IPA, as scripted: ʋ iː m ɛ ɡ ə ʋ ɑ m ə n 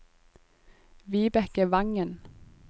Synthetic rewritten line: ʋ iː b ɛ k ə ʋ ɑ ŋ ə n